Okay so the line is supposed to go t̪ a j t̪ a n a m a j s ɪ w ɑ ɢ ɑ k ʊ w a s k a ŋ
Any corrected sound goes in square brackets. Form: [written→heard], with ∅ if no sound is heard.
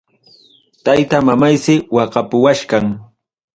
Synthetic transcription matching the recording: t̪ a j t̪ a [n→m] a m a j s ɪ w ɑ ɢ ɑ [k→p] ʊ w a [s→ʃ] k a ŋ